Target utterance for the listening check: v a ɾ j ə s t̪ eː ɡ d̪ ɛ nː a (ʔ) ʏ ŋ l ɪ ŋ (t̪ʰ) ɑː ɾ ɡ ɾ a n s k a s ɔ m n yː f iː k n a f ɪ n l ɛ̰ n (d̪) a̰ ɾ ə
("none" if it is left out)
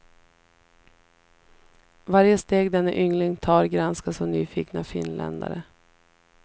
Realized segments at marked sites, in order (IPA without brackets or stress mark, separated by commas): ʔ, t̪ʰ, d̪